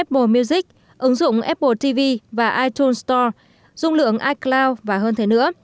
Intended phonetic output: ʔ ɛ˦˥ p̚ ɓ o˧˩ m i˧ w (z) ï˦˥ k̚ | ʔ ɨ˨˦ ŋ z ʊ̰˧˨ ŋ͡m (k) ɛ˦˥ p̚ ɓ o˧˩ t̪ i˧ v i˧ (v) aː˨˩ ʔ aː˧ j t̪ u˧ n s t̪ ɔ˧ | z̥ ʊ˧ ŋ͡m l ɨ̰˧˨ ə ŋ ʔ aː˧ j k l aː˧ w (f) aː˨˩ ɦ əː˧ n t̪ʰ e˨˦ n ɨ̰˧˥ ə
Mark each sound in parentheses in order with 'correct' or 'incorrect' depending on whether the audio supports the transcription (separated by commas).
correct, incorrect, correct, incorrect